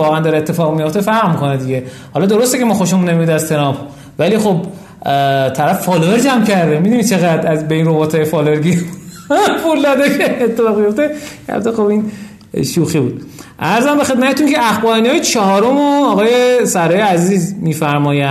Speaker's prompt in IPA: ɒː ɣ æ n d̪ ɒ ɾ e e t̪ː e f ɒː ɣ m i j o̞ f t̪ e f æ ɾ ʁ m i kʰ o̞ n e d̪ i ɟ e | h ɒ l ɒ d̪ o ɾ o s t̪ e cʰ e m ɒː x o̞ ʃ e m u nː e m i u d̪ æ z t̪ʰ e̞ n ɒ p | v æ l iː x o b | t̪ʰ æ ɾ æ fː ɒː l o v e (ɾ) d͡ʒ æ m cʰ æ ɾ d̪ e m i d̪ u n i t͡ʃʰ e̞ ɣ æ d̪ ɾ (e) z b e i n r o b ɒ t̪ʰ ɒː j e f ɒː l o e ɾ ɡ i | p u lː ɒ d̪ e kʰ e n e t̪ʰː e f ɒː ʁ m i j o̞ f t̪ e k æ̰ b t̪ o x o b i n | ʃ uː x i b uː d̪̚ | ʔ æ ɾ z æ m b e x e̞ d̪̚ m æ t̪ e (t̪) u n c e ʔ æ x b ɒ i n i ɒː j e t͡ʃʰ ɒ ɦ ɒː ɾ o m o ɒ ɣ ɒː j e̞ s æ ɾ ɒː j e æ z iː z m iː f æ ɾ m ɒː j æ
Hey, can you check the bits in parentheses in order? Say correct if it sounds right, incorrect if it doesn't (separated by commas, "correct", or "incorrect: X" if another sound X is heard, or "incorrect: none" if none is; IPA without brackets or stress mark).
correct, incorrect: æ, correct